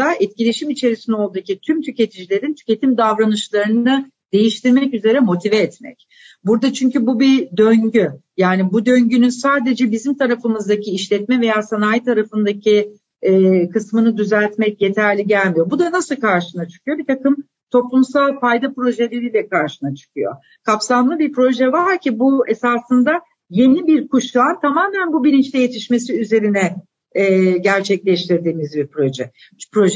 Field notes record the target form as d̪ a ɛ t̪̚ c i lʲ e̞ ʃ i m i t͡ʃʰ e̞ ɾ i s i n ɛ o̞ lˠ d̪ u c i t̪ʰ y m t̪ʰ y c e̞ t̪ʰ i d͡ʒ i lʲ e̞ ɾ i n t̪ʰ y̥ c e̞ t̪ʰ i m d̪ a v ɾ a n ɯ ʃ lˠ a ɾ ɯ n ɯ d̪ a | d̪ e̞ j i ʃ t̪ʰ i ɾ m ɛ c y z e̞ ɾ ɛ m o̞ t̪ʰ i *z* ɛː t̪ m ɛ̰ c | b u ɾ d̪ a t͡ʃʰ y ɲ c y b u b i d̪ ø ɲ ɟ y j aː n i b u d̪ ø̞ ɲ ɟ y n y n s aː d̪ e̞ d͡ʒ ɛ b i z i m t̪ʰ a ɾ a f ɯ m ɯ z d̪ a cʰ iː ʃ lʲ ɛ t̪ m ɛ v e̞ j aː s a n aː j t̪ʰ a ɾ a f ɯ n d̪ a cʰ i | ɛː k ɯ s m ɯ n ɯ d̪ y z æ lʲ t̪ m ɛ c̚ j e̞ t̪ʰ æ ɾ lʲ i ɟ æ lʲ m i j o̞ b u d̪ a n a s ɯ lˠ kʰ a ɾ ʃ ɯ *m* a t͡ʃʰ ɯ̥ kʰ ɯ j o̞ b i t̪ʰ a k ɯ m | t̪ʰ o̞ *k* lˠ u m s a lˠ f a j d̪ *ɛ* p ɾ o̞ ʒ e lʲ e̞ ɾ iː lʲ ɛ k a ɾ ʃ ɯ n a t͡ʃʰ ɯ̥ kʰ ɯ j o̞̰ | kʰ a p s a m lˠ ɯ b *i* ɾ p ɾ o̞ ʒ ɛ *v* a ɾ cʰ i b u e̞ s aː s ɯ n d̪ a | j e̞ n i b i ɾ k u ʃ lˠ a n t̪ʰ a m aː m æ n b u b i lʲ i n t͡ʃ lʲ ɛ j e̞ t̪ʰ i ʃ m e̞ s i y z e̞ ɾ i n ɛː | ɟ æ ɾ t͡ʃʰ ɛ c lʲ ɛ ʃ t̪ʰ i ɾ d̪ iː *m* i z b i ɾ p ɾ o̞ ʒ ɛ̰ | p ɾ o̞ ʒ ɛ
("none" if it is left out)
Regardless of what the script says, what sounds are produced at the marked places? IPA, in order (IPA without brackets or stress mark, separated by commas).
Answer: v, n, p, a, i, v, m